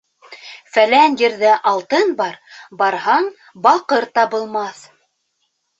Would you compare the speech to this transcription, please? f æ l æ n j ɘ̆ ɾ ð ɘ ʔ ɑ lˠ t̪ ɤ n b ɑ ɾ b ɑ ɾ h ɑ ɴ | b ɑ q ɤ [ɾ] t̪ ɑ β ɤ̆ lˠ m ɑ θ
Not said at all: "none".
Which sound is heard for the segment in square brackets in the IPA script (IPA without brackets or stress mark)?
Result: ɾ